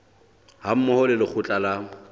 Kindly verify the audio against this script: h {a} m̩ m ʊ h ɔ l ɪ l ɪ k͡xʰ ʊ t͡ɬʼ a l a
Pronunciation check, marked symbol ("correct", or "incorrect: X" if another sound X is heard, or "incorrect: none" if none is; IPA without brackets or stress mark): correct